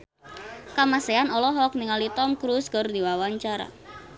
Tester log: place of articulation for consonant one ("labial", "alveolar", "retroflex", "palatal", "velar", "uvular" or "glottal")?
velar